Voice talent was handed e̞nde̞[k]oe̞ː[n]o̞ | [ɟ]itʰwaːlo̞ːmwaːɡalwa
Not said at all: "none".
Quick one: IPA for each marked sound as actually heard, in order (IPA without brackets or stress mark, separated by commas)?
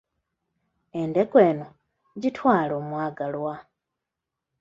k, n, ɟ